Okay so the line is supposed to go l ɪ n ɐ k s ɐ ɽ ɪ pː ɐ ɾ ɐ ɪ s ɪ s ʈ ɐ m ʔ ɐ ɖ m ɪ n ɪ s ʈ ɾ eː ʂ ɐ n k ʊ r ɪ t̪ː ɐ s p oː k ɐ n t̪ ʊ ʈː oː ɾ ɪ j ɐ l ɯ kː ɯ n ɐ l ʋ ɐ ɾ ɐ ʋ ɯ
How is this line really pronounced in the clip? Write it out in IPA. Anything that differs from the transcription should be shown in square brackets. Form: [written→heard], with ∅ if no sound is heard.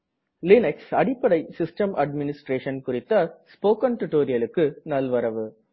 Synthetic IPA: l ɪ n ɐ k s ɐ ɽ ɪ pː ɐ [ɾ→ɽ] ɐ ɪ s ɪ s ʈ ɐ m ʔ ɐ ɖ m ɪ n ɪ s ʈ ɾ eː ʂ ɐ n k ʊ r ɪ t̪ː ɐ s p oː k ɐ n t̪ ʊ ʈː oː ɾ ɪ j ɐ l ɯ kː ɯ n ɐ l ʋ ɐ ɾ ɐ ʋ ɯ